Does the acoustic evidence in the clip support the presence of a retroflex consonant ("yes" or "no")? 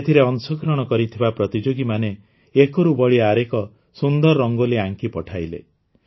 yes